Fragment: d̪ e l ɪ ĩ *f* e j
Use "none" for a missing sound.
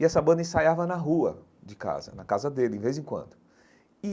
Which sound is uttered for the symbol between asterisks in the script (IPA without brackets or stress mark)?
v